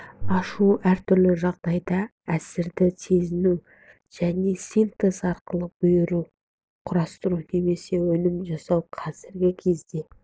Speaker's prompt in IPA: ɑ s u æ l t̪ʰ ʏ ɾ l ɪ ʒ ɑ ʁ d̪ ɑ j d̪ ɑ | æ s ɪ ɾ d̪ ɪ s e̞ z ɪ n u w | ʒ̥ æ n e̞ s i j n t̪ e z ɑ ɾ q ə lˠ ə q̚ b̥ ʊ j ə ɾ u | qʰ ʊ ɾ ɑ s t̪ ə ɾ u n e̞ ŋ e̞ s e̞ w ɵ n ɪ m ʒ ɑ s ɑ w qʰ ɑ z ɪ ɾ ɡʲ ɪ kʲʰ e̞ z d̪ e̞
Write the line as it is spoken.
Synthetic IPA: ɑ ʃ u æ ɾ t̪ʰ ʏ ɾ l ɪ ʒ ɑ ʁ d̪ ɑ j d̪ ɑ | æ s ɪ ɾ d̪ ɪ s e̞ z ɪ n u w | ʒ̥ æ n e̞ s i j n t̪ e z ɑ ɾ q ə lˠ ə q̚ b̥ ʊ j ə ɾ u | qʰ ʊ ɾ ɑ s t̪ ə ɾ u n e̞ m e̞ s e̞ w ɵ n ɪ m ʒ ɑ s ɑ w qʰ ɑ z ɪ ɾ ɡʲ ɪ kʲʰ e̞ z d̪ e̞